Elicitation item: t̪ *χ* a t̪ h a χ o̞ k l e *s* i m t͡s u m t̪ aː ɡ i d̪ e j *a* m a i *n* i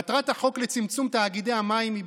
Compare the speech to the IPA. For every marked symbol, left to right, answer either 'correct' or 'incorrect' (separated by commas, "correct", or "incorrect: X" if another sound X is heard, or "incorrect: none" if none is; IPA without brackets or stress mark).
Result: incorrect: ʁ, incorrect: t͡s, correct, incorrect: m